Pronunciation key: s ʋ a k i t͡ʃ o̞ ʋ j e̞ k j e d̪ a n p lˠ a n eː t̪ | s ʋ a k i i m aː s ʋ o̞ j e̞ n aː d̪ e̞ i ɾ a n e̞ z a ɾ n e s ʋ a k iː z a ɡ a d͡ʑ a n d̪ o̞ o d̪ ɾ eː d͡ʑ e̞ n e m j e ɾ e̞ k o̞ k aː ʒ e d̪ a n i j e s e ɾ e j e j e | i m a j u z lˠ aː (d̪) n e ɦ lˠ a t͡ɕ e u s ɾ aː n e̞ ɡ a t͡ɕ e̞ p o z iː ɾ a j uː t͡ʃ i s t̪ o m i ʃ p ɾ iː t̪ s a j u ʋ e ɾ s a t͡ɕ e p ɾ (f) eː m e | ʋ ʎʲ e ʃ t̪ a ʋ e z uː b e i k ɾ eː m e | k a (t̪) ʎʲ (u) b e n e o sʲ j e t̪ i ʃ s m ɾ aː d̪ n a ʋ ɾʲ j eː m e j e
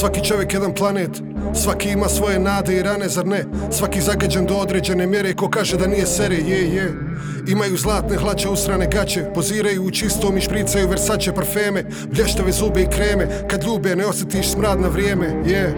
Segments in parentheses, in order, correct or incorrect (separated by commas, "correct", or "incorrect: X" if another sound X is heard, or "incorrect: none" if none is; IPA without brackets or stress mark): incorrect: t̪, correct, incorrect: d̪, incorrect: uː